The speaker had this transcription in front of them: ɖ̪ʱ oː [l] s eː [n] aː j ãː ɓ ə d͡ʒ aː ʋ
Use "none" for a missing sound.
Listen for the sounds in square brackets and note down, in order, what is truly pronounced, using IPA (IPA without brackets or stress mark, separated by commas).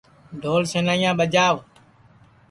l, n